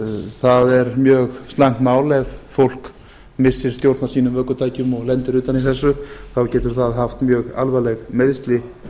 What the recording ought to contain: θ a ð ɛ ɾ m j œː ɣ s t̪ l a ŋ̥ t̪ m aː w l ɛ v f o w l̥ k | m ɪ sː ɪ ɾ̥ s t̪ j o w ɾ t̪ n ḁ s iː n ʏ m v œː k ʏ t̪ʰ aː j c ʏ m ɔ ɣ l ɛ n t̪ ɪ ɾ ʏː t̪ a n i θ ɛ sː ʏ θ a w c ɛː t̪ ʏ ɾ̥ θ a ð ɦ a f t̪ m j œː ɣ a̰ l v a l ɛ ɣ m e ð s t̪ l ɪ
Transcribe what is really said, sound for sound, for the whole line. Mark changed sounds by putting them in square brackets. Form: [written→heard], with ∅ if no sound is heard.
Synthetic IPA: θ a ð ɛ ɾ m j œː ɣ s t̪ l a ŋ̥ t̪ m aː w l ɛ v f o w l̥ k | m ɪ sː ɪ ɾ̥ s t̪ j o w ɾ t̪ n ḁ s iː n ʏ m v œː k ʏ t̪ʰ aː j c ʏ m ɔ ɣ l ɛ n t̪ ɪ ɾ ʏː t̪ a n i θ ɛ sː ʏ θ a w c ɛː t̪ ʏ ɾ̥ θ a ð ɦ a f t̪ m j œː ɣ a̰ l v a l ɛ ɣ m e ð s t̪ l ɪ